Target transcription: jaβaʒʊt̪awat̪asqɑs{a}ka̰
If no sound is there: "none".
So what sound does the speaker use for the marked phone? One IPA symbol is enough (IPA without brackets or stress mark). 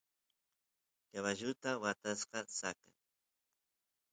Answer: a